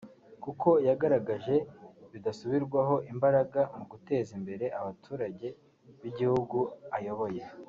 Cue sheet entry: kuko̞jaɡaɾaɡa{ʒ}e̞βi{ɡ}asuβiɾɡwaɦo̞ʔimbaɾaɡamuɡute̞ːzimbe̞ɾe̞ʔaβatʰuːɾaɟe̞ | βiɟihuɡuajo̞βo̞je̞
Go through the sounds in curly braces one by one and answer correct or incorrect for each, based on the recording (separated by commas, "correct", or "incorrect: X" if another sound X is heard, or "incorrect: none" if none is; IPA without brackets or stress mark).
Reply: correct, incorrect: d